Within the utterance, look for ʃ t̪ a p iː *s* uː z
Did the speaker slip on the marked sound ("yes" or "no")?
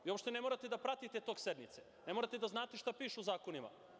yes